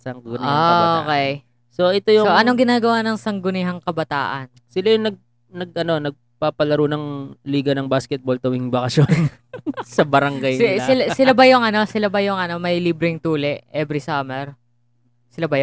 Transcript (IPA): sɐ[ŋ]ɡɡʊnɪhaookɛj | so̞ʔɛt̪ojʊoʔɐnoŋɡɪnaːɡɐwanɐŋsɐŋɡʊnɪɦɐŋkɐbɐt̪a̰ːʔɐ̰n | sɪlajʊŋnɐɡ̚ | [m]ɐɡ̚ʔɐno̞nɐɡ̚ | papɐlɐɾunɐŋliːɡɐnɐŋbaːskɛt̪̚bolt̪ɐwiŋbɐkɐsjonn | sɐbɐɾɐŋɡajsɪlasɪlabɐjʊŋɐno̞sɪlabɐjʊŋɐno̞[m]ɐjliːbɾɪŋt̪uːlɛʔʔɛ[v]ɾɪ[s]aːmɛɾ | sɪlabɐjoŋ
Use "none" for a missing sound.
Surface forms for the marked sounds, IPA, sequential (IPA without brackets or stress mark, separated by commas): ŋ, n, m, b, s